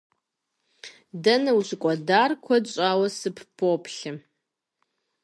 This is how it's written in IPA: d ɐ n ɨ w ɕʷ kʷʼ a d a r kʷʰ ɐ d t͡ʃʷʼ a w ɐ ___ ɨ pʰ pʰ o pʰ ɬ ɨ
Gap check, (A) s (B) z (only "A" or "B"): A